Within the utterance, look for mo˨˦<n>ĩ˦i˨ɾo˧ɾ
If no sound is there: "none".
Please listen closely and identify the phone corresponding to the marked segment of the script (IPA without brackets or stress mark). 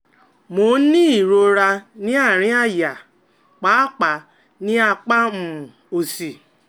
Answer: n